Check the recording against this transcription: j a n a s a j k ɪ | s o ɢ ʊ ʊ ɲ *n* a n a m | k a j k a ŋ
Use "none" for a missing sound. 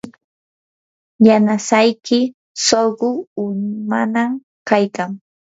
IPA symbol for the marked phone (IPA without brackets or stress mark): m